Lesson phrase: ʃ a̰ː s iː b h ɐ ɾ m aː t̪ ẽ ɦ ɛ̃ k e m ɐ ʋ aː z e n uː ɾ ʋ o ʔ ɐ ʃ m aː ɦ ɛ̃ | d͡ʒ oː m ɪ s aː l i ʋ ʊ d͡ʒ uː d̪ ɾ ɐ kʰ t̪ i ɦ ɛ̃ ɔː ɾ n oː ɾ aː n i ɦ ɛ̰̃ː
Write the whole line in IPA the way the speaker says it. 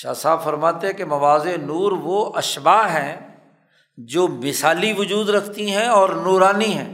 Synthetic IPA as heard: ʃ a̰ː s aː b f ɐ ɾ m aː t̪ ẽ ɦ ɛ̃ k e m ɐ ʋ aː z e n uː ɾ ʋ o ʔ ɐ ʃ b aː ɦ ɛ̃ | d͡ʒ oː m ɪ s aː l i ʋ ʊ d͡ʒ uː d̪ ɾ ɐ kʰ t̪ i ɦ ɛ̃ ɔː ɾ n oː ɾ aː n i ɦ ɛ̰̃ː